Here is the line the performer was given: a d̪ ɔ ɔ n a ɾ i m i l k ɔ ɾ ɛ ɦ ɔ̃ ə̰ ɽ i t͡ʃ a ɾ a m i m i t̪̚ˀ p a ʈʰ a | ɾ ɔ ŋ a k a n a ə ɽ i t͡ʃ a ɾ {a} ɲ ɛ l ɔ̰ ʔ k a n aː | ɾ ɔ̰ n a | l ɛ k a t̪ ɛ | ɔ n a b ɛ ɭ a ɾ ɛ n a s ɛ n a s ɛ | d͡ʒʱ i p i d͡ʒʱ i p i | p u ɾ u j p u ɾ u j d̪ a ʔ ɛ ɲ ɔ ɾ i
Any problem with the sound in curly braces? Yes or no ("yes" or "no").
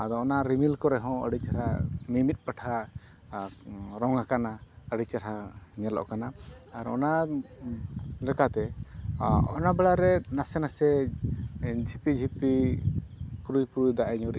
no